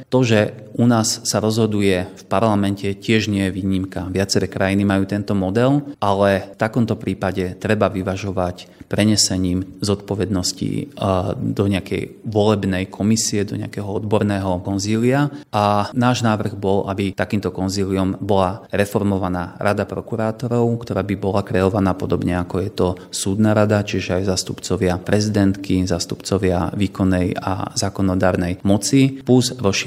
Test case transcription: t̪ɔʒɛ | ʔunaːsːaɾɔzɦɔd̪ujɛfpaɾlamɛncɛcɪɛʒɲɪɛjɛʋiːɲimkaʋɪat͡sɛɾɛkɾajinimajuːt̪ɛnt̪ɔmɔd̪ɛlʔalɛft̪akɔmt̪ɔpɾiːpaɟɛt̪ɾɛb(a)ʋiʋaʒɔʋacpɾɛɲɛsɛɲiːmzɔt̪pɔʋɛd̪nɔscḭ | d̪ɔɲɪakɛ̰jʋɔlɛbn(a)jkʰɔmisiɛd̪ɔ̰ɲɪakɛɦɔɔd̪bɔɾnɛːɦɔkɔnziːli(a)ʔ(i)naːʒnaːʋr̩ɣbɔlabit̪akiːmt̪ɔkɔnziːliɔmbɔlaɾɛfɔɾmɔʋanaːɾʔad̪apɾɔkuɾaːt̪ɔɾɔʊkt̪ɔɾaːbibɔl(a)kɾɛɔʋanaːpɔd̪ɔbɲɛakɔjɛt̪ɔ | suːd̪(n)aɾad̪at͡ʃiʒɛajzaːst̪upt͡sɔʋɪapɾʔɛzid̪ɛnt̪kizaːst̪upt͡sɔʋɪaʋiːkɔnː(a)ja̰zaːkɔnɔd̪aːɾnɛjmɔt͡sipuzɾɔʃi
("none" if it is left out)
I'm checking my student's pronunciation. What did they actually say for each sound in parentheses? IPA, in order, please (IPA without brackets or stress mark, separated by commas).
a, ɛ, a, a, a, n, ɛ